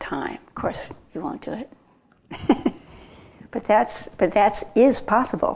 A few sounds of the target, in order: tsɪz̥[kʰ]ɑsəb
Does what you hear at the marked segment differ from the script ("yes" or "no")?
yes